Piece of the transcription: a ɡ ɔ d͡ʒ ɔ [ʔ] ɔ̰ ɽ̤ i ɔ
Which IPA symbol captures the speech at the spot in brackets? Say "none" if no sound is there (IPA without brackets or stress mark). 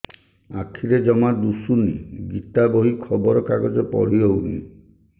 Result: p